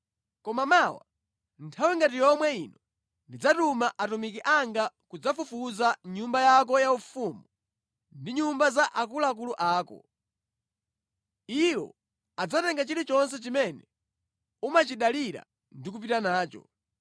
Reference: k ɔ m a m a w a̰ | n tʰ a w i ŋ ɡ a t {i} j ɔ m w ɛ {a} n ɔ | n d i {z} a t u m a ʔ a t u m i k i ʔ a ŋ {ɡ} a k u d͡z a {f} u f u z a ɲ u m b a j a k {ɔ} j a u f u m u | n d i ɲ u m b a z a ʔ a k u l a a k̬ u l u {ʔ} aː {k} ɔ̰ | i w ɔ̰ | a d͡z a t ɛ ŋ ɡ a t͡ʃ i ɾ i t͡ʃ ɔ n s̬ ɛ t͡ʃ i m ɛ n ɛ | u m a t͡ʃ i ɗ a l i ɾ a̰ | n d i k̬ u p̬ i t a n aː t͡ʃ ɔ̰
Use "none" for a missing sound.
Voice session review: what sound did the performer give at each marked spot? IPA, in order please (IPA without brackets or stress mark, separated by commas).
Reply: i, i, d͡z, ɡ, f, ɔ, ʔ, k